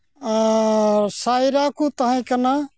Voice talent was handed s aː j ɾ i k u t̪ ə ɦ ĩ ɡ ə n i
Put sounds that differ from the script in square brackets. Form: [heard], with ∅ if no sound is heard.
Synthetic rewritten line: s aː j ɾ [a] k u t̪ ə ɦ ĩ [k] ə n [a]